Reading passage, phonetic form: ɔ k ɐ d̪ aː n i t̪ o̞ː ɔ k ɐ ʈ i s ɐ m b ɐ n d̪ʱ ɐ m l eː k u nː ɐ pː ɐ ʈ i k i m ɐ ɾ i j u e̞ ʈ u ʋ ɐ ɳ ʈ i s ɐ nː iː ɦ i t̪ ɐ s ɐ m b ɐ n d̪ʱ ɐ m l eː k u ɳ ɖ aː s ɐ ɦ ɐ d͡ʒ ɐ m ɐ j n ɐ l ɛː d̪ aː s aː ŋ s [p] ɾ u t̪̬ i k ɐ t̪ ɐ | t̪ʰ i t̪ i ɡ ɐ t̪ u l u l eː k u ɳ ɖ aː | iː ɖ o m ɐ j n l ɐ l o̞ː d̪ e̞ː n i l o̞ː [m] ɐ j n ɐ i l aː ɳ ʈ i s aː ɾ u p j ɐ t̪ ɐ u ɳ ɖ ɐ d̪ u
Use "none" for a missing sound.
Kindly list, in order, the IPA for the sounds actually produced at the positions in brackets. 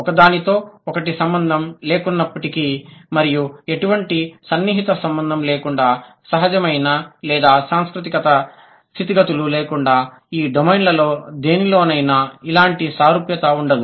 k, n

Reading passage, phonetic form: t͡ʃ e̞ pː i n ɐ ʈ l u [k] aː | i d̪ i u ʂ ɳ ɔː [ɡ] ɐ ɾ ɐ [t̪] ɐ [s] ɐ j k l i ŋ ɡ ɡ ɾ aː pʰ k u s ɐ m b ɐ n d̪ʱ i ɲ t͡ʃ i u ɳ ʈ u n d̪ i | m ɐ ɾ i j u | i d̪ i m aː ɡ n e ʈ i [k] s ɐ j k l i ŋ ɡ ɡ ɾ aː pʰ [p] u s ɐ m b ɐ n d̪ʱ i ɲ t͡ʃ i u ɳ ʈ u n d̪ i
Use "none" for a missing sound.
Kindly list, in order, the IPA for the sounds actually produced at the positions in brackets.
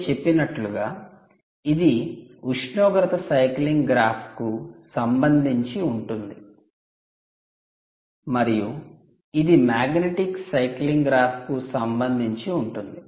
ɡ, ɡ, t̪, s, k, k

